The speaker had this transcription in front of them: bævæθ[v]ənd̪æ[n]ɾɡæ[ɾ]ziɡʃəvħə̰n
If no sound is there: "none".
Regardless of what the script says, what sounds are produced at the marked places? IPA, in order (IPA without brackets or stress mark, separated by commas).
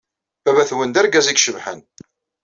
w, none, none